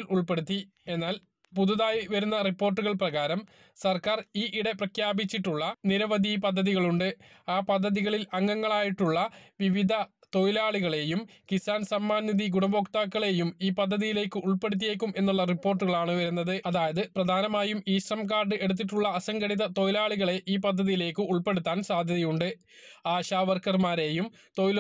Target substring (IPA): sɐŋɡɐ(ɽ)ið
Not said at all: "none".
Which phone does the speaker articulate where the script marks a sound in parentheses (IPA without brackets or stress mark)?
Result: ɽ